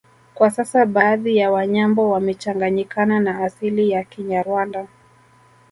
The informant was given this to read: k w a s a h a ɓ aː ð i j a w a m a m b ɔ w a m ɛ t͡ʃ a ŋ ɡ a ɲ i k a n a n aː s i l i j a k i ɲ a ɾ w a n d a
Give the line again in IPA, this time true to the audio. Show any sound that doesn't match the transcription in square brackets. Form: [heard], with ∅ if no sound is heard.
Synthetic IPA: k w a s a [s] a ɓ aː ð i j a w a [ɲ] a m b ɔ w a m ɛ t͡ʃ a ŋ ɡ a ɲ i k a n a n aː s i l i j a k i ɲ a ɾ w a n d a